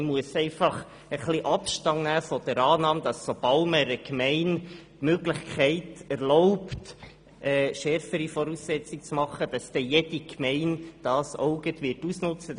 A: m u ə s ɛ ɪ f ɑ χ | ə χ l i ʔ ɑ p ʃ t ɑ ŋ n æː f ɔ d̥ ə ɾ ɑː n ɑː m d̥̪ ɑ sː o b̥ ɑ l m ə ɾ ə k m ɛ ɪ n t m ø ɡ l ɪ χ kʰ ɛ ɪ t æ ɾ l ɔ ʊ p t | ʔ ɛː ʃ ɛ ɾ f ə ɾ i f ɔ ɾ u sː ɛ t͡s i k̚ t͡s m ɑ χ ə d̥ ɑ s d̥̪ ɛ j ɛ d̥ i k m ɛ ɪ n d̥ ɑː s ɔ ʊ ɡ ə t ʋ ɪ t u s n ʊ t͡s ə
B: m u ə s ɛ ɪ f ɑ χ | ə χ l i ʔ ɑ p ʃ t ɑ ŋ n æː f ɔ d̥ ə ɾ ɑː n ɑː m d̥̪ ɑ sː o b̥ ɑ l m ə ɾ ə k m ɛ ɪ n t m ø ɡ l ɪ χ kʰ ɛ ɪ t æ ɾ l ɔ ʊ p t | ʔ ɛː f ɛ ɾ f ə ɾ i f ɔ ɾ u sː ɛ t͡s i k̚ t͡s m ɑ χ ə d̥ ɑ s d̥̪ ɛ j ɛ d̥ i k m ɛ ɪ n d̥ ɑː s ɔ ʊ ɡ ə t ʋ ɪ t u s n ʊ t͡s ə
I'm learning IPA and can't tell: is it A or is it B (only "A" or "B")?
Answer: A